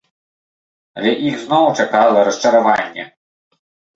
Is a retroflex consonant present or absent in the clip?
present